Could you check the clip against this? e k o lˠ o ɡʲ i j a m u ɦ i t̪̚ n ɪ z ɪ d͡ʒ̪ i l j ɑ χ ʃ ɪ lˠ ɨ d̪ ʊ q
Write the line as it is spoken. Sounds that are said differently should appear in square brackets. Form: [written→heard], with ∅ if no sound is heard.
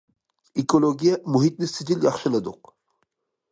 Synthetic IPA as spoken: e k o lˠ o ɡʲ i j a m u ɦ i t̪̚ n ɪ [z→s] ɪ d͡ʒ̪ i l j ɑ χ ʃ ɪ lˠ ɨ d̪ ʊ q